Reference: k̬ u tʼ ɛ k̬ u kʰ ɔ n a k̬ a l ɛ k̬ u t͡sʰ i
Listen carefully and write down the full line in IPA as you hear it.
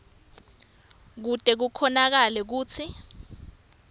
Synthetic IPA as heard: k̬ u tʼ ɛ k̬ u kʰ ɔ n a k̬ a l ɛ k̬ uː t͡sʰ i